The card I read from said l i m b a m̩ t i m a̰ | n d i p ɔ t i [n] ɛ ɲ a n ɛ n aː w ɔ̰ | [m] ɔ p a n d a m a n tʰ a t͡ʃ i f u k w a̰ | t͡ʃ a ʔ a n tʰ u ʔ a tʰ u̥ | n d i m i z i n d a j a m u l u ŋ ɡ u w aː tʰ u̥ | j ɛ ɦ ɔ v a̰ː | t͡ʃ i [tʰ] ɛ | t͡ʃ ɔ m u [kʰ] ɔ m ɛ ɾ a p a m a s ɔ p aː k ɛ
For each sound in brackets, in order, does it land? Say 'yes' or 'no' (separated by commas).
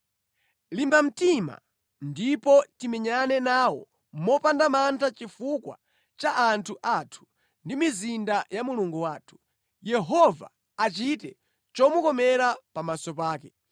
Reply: no, yes, no, no